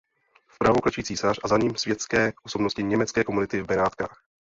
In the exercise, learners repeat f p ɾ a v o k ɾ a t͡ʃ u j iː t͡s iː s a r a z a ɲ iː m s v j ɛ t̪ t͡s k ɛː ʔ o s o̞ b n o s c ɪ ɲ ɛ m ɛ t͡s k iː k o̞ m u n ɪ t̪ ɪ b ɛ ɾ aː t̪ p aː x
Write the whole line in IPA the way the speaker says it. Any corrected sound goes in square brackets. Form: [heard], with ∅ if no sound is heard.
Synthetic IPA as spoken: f p ɾ a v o k [l] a t͡ʃ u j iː t͡s iː s a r a z a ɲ iː m s v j ɛ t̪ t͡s k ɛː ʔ o s o̞ b n o s c ɪ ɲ ɛ m ɛ t͡s k [ɛː] k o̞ m u n ɪ t̪ ɪ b ɛ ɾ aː t̪ [k] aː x